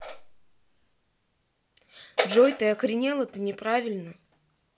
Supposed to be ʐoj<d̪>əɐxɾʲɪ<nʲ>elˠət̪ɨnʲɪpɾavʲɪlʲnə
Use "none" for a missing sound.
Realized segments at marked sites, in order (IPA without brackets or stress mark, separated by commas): t̪, nʲ